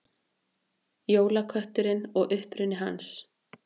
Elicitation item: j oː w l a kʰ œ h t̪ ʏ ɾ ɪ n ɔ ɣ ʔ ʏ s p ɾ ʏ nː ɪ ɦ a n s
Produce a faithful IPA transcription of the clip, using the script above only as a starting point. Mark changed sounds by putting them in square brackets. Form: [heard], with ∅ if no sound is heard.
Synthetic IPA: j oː w l a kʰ œ h t̪ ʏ ɾ ɪ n ɔ ɣ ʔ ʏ [h] p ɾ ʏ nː ɪ ɦ a n s